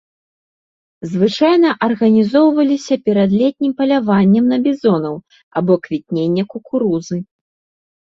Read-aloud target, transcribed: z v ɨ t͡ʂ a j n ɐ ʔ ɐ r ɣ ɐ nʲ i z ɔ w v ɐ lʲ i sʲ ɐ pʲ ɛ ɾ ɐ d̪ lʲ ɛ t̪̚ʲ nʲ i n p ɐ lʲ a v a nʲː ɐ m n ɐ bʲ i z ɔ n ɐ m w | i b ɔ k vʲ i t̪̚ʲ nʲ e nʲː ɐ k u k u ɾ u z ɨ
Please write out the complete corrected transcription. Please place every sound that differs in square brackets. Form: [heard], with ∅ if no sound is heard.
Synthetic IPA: z v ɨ t͡ʂ a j n ɐ ʔ ɐ r ɣ ɐ nʲ i z ɔ w v ɐ lʲ i sʲ ɐ pʲ ɛ ɾ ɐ d̪ lʲ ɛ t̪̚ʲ nʲ i [m] p ɐ lʲ a v a nʲː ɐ m n ɐ bʲ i z ɔ n ɐ [∅] w | [a] b ɔ k vʲ i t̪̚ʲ nʲ e nʲː ɐ k u k u ɾ u z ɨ

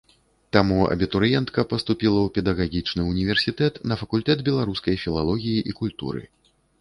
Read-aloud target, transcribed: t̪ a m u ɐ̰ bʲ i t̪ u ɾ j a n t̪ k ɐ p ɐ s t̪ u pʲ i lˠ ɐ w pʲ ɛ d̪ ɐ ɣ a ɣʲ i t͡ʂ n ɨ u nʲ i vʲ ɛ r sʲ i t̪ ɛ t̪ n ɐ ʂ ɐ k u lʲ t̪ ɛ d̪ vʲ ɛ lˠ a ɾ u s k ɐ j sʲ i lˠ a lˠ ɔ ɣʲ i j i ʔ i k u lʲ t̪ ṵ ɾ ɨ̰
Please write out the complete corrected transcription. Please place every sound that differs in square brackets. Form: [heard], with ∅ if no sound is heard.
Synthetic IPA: t̪ a m u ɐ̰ bʲ i t̪ u ɾ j [ɛ] n t̪ k ɐ p ɐ s t̪ u pʲ i lˠ ɐ w pʲ ɛ d̪ ɐ ɣ a ɣʲ i t͡ʂ n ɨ u nʲ i vʲ ɛ r sʲ i t̪ ɛ t̪ n ɐ [f] ɐ k u lʲ t̪ ɛ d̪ [bʲ] ɛ lˠ a ɾ u s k ɐ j [fʲ] i lˠ a lˠ ɔ ɣʲ i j i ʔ i k u lʲ t̪ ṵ ɾ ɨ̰

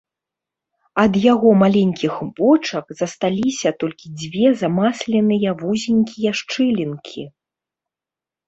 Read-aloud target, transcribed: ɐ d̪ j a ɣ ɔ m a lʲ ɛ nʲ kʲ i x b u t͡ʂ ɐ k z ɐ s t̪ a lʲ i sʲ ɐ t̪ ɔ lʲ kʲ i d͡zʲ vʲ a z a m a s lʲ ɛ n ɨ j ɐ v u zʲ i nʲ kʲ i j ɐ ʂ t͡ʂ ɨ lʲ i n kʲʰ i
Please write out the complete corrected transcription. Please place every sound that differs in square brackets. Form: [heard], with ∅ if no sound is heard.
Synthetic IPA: ɐ d̪ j a ɣ ɔ m a lʲ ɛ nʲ kʲ i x b [ɔ] t͡ʂ ɐ k z ɐ s t̪ a lʲ i sʲ ɐ t̪ ɔ lʲ kʲ i d͡zʲ vʲ [ɛ] z a m a s lʲ ɛ n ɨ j ɐ v u zʲ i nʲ kʲ i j ɐ ʂ t͡ʂ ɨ lʲ i n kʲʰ i

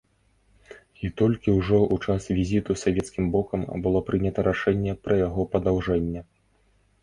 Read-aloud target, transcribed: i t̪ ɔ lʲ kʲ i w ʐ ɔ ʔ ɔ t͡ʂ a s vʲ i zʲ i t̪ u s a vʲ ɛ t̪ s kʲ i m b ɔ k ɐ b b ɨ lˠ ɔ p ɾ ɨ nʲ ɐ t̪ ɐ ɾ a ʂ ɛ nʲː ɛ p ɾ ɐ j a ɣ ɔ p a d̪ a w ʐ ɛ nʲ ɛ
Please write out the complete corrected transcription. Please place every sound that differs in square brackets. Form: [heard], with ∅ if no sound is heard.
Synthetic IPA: i t̪ ɔ lʲ kʲ i w ʐ ɔ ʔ [u] t͡ʂ a s vʲ i zʲ i t̪ u s a vʲ ɛ t̪ s kʲ i m b ɔ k ɐ [m] b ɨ lˠ ɔ p ɾ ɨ nʲ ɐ t̪ ɐ ɾ a ʂ ɛ nʲː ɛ p ɾ ɐ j a ɣ ɔ p [ɐ] d̪ a w ʐ ɛ [nʲː] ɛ

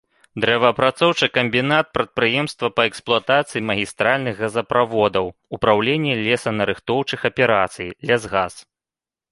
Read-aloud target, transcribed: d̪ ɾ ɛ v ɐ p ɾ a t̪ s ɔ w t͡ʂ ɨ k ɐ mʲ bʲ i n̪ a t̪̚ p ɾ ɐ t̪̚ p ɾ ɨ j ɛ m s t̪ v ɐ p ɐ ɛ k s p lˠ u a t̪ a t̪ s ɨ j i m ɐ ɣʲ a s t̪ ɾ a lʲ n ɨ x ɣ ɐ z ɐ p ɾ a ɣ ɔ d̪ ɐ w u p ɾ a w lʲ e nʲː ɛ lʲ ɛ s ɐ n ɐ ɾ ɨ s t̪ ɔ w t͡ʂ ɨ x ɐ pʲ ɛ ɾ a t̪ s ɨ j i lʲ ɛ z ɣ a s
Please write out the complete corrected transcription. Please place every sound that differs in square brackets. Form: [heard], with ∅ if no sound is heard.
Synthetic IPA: d̪ ɾ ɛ v ɐ p ɾ a t̪ s ɔ w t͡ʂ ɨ k ɐ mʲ bʲ i n̪ a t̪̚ p ɾ ɐ t̪̚ p ɾ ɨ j ɛ m s t̪ v ɐ p ɐ ɛ k s p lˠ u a t̪ a t̪ s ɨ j i m ɐ ɣʲ [i] s t̪ ɾ a lʲ n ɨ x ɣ ɐ z ɐ p ɾ a [v] ɔ d̪ ɐ w u p ɾ a w lʲ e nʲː ɛ lʲ ɛ s ɐ n ɐ ɾ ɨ [x] t̪ ɔ w t͡ʂ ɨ x ɐ pʲ ɛ ɾ a t̪ s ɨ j i lʲ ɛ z ɣ a s

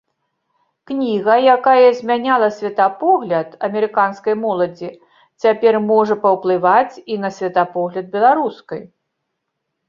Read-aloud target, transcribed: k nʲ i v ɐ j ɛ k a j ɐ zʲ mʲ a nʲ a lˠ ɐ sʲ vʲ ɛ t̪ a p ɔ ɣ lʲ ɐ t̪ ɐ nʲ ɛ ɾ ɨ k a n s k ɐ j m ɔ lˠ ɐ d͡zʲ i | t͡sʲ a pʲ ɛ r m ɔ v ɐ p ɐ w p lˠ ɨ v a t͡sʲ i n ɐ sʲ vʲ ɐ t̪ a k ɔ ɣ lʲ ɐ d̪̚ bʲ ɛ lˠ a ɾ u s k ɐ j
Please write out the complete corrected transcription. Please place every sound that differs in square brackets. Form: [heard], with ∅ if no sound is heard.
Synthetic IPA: k nʲ i [ɣ] ɐ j [a] k a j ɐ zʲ mʲ a nʲ a lˠ ɐ sʲ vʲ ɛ t̪ a p ɔ ɣ lʲ ɐ t̪ ɐ [mʲ] ɛ ɾ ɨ k a n s k ɐ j m ɔ lˠ ɐ d͡zʲ i | t͡sʲ a pʲ ɛ r m ɔ [ʐ] ɐ p ɐ w p lˠ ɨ v a t͡sʲ i n ɐ sʲ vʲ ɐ t̪ a [p] ɔ ɣ lʲ ɐ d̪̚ bʲ ɛ lˠ a ɾ u s k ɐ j

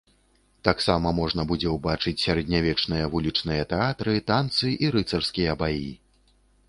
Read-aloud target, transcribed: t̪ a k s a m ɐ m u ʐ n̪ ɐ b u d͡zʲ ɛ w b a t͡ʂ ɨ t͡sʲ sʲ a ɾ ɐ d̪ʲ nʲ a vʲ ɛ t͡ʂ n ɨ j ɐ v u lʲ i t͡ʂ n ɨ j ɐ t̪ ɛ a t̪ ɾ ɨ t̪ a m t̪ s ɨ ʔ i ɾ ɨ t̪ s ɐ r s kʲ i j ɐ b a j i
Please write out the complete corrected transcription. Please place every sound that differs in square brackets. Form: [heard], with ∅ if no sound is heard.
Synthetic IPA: t̪ a k s a m ɐ m [ɔ] ʐ n̪ ɐ b u d͡zʲ ɛ w b a t͡ʂ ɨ t͡sʲ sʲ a ɾ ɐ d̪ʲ nʲ a vʲ ɛ t͡ʂ n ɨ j ɐ v u lʲ i t͡ʂ n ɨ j ɐ t̪ ɛ a t̪ ɾ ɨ t̪ a [n] t̪ s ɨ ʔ i ɾ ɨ t̪ s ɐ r s kʲ i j ɐ b a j i

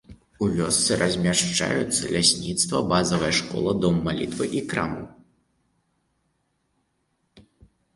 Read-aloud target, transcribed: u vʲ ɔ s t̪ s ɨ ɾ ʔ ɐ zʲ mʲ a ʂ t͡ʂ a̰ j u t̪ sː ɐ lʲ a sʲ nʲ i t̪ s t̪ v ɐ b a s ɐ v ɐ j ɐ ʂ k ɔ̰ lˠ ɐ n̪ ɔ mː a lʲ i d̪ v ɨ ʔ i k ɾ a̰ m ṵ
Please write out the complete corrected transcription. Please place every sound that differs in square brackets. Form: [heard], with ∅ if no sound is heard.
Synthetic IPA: u vʲ ɔ s t̪ s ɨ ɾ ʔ ɐ zʲ mʲ a ʂ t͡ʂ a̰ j u t̪ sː ɐ lʲ a sʲ nʲ i t̪ s t̪ v ɐ b a [z] ɐ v ɐ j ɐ ʂ k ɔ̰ lˠ ɐ [d̪] ɔ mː a lʲ i [t̪] v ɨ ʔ i k ɾ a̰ m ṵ

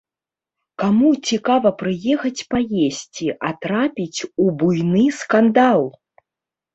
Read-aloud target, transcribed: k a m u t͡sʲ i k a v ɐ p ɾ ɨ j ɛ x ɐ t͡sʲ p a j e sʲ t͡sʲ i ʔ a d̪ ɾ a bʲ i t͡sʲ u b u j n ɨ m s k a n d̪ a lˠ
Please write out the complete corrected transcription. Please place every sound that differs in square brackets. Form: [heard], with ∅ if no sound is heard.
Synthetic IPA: k a m u t͡sʲ i k a v ɐ p ɾ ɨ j ɛ x ɐ t͡sʲ p a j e sʲ t͡sʲ i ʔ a [t̪] ɾ a [pʲ] i t͡sʲ u b u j n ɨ [∅] s k a n d̪ a lˠ

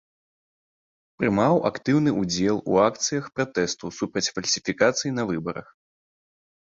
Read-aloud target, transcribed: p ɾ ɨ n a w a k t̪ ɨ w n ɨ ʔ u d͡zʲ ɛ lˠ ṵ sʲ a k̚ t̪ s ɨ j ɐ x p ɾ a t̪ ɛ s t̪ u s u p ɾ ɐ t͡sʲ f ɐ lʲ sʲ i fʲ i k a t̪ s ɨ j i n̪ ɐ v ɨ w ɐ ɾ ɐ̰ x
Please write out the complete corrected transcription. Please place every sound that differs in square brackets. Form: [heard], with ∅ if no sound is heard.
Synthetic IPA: p ɾ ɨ [m] a w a k t̪ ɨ w n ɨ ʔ u d͡zʲ ɛ lˠ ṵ [∅] a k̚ t̪ s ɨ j ɐ x p ɾ a t̪ ɛ s t̪ u s u p ɾ ɐ t͡sʲ f ɐ lʲ sʲ i fʲ i k a t̪ s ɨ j i n̪ ɐ v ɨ [b] ɐ ɾ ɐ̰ x

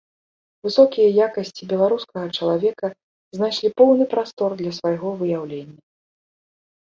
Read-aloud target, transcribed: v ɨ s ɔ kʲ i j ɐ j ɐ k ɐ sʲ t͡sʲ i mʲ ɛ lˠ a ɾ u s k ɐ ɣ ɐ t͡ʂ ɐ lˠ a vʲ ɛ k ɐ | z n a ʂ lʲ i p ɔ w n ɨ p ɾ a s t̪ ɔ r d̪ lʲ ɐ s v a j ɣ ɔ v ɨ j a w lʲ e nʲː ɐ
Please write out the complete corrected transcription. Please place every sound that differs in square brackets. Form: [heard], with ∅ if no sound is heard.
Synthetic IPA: v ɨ s ɔ kʲ i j ɐ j [a] k ɐ sʲ t͡sʲ i [bʲ] ɛ lˠ a ɾ u s k ɐ ɣ ɐ t͡ʂ ɐ lˠ a vʲ ɛ k ɐ | z n a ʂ lʲ i p ɔ w n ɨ p ɾ a s t̪ ɔ r d̪ lʲ ɐ s v a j ɣ ɔ v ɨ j a w lʲ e nʲː ɐ

